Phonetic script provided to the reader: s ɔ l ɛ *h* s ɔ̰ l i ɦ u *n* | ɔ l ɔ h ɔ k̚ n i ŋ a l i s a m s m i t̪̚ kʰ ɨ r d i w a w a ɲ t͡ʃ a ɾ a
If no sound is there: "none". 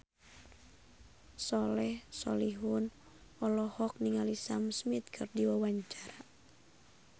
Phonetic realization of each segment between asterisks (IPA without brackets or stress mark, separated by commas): h, n